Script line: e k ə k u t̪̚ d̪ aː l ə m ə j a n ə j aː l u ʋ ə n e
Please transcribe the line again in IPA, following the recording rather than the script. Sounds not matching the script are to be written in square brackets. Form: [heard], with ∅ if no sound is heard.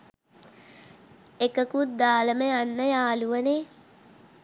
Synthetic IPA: e k ə k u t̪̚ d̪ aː l ə m ə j a [nː] ə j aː l u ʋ ə n e

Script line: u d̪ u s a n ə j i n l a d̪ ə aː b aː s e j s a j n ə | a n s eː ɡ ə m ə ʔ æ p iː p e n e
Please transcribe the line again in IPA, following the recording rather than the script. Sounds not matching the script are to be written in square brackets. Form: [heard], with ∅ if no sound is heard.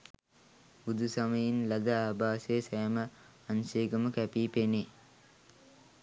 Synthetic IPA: u d̪ u s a [m] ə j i n l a d̪ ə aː b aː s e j s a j [m] ə | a n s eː ɡ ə m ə [k] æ p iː p e n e

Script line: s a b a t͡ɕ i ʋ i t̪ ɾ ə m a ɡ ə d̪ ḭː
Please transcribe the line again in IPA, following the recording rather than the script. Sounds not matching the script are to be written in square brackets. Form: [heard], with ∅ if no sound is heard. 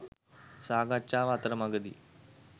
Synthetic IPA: s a [ɡ] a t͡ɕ [a] ʋ [a] t̪ ɾ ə m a ɡ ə d̪ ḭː

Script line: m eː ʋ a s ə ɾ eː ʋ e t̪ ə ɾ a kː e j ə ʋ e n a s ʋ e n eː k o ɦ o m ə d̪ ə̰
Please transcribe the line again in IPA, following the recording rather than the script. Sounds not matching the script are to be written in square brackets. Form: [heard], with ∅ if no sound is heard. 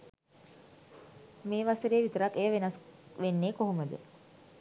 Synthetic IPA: m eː ʋ a s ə ɾ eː ʋ [i] t̪ ə ɾ a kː e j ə ʋ e n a s ʋ e [nː] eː k o ɦ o m ə d̪ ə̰

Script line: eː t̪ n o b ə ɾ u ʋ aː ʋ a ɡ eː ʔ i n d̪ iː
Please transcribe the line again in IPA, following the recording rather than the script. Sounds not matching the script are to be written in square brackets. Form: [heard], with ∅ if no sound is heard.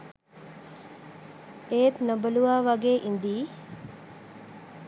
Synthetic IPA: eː t̪ n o b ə [l] u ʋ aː ʋ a ɡ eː ʔ i n d̪ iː

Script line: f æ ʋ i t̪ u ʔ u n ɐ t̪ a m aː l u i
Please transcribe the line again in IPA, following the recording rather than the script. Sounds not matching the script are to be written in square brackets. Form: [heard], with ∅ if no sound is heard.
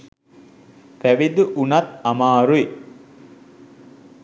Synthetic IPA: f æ ʋ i [d̪] u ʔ u n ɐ t̪ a m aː [ɾ] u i

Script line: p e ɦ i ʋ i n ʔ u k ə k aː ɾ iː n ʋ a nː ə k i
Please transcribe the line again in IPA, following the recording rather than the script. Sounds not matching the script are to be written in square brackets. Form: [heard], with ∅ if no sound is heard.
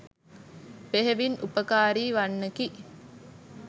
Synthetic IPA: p e ɦ [e] ʋ i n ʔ u [p] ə k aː ɾ iː [∅] ʋ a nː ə k i

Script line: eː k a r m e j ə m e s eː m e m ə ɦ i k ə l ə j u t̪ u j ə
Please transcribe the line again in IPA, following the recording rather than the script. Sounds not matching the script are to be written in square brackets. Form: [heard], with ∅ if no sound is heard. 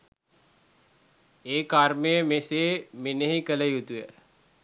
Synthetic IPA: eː k a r m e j ə m e s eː m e [n] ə ɦ i k ə l ə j u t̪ u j ə

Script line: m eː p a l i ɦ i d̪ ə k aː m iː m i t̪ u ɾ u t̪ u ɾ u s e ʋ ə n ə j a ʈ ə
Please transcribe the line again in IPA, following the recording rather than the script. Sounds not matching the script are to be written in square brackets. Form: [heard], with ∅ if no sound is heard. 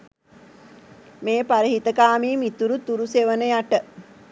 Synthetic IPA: m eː p a [ɾ] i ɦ i [t̪] ə k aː m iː m i t̪ u ɾ u t̪ u ɾ u s e ʋ ə n ə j a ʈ ə

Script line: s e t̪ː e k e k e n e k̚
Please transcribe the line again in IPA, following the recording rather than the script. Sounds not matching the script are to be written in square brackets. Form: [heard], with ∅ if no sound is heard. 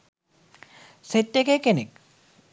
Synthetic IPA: s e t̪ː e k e k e n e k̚

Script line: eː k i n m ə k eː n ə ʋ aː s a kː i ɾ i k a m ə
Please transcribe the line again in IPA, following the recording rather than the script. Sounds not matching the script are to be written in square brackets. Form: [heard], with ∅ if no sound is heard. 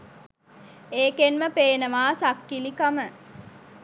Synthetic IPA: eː k [e] n m ə [p] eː n ə ʋ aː s a kː i [l] i k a m ə

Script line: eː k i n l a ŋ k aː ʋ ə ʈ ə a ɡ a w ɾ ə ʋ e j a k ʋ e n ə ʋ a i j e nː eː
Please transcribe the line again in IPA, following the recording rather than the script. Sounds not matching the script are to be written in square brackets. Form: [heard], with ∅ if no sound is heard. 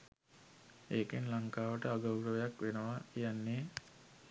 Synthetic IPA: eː k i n l a ŋ k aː ʋ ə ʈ ə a ɡ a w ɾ ə ʋ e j a k ʋ e n ə ʋ a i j [a] nː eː

